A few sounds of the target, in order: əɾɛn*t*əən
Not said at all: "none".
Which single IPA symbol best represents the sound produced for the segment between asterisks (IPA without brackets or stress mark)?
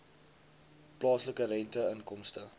t